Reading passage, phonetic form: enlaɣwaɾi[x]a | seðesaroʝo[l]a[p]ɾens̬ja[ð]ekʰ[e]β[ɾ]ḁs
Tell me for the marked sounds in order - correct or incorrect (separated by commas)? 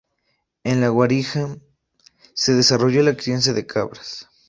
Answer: correct, correct, incorrect, correct, incorrect, correct